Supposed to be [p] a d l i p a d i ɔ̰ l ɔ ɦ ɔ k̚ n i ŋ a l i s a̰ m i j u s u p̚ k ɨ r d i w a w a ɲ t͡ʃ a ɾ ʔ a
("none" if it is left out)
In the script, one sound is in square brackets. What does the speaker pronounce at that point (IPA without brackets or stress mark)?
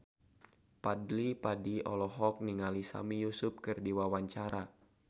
p